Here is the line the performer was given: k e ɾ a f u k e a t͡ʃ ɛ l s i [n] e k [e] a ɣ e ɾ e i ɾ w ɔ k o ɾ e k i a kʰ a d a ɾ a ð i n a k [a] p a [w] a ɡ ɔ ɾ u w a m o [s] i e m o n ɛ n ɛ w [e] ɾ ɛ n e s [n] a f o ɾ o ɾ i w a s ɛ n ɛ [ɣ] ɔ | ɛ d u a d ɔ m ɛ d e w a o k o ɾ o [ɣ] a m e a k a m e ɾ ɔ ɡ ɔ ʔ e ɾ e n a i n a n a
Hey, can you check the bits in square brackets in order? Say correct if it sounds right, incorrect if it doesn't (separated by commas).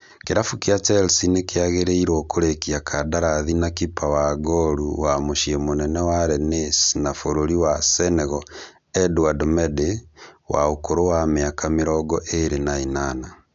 correct, correct, incorrect, correct, incorrect, incorrect, correct, correct, incorrect